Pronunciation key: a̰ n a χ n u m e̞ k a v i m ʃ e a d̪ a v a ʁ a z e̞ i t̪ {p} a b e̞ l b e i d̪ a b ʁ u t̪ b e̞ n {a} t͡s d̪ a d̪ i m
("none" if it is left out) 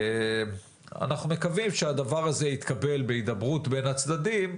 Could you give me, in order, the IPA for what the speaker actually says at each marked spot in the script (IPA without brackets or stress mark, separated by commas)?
k, a